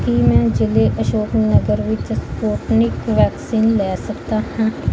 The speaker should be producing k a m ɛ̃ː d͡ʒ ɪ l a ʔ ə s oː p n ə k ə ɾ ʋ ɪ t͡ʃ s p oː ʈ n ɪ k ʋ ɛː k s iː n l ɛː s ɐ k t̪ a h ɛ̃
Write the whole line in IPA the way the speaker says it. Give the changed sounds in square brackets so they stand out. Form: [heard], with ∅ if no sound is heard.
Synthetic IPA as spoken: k [i] m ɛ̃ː d͡ʒ ɪ l [e] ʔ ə [ʃ] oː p n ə [ɡ] ə ɾ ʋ ɪ t͡ʃ s p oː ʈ n ɪ k ʋ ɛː k s iː n l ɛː s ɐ k t̪ a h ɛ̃